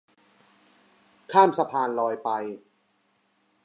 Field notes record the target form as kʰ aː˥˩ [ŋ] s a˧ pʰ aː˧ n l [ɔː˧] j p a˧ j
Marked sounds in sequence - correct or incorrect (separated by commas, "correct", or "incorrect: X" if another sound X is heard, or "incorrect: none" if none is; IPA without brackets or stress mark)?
incorrect: m, correct